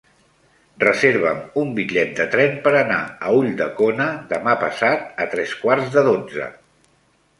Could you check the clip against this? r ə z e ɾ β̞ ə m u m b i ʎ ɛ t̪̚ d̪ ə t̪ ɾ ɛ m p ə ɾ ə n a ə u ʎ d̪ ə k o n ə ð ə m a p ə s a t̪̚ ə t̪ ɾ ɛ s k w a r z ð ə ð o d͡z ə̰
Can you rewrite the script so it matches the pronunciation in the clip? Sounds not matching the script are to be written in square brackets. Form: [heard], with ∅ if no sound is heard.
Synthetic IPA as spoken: r ə z e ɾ β̞ ə m u m b i ʎ ɛ t̪̚ d̪ ə t̪ ɾ ɛ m p ə ɾ ə n a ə u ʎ d̪ ə k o n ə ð ə m a p ə s a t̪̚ ə t̪ ɾ ɛ s k w a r z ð ə ð o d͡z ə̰